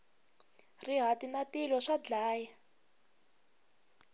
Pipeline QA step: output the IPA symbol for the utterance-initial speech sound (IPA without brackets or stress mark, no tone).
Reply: r